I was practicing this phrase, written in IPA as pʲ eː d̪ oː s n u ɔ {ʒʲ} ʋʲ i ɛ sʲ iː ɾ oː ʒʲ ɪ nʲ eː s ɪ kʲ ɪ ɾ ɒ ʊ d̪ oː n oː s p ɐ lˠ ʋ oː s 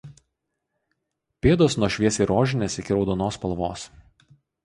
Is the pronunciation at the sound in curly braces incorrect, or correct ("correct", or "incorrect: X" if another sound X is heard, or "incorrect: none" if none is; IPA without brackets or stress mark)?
incorrect: ʃʲ